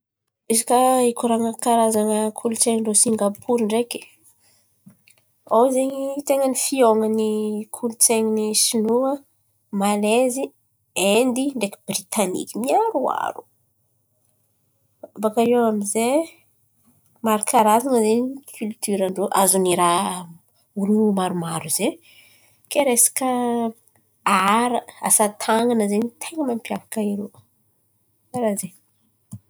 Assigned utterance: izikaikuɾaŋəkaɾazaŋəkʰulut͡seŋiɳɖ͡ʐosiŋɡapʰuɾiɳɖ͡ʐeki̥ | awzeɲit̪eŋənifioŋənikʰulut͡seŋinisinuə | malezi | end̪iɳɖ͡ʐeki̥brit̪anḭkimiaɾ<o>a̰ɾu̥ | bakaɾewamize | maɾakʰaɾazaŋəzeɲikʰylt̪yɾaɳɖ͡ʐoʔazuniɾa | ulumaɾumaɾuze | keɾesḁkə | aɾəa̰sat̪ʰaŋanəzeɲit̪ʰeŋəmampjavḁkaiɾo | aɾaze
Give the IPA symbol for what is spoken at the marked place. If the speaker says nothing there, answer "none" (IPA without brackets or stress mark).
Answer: u